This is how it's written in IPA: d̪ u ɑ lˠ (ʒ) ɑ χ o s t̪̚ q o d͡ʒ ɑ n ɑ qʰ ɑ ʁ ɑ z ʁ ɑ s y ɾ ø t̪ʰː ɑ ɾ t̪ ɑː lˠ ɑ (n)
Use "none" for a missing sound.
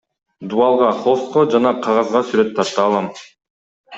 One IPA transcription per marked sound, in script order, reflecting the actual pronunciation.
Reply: ʁ, m

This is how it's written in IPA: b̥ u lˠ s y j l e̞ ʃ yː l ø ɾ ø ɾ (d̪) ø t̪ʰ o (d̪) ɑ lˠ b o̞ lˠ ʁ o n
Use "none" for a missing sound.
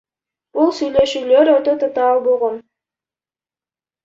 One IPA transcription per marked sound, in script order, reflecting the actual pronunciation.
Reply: t̪, t̪

